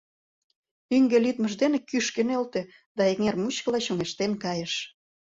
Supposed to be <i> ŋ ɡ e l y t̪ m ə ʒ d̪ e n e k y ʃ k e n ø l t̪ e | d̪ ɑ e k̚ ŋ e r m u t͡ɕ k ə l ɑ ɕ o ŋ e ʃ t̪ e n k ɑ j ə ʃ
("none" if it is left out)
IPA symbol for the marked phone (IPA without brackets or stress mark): y